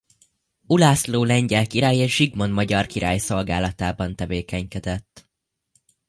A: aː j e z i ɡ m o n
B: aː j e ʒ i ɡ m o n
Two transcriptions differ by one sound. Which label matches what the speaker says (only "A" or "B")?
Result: B